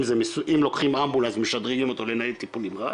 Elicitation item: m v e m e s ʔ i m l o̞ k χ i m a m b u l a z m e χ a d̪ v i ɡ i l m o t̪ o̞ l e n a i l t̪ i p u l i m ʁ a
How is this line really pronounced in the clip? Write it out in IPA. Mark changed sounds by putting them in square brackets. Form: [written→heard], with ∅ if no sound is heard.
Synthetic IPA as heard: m [v→z] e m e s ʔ i m l o̞ k χ i m a m b u l a z m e [χ→ʃ] a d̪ [v→ʁ] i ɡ i [l→∅] m o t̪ o̞ l e n a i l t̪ i p u l i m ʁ a

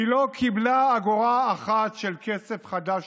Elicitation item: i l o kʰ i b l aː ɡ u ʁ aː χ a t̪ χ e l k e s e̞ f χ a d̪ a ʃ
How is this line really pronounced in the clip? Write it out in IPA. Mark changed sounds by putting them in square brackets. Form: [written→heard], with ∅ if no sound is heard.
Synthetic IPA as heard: i l o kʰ i b l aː ɡ [u→o] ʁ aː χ a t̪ [χ→ʃ] e l k e s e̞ f χ a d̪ a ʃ

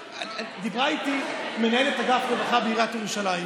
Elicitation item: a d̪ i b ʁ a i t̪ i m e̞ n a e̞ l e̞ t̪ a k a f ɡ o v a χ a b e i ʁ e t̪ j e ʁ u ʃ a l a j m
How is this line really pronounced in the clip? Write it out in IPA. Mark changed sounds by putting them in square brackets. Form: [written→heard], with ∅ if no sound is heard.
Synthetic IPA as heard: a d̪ i b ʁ a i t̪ i m e̞ n a e̞ l e̞ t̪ a [k→ɡ] a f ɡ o v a χ a b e i ʁ [e→a] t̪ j e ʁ u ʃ a l a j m

